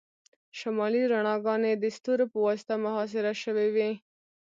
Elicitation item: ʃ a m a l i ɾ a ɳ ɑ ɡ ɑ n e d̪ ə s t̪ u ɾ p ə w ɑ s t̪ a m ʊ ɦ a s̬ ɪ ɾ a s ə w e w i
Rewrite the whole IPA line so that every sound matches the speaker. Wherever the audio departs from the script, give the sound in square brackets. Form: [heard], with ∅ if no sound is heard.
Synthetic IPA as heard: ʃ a m [ɑ] l i ɾ a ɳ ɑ ɡ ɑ n e d̪ ə s t̪ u ɾ p ə w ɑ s t̪ a m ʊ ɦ [ɑ] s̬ ɪ ɾ a [ʃ] ə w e w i